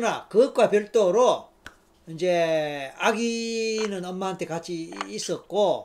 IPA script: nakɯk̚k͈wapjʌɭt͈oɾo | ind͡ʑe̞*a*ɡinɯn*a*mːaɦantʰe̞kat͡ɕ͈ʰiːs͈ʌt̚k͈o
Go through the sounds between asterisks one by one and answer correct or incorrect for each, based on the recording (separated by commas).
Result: correct, incorrect